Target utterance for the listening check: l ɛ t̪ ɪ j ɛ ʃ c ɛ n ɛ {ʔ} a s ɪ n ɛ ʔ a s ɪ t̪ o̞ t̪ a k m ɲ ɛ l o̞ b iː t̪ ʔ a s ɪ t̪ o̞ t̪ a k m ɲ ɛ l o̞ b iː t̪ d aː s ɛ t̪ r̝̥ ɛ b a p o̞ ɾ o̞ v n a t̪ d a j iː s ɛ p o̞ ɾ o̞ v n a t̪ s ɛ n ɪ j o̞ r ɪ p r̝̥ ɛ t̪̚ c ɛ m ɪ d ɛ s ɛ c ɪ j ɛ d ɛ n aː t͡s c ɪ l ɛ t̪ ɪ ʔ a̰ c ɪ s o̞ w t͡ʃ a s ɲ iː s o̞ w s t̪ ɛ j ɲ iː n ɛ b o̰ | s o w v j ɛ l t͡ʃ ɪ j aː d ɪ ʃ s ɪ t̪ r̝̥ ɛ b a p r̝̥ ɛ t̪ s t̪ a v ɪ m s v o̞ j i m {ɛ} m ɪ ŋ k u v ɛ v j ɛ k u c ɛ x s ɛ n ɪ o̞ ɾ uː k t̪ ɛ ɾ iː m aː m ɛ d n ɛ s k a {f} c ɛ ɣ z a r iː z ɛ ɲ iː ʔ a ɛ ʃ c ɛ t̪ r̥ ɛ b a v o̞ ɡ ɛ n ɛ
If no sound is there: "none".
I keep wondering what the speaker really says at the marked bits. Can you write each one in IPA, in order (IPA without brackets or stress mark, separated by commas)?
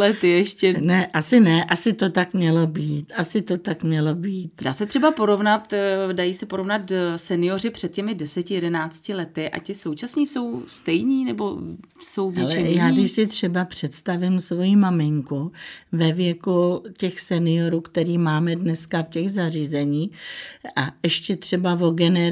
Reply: ʔ, a, f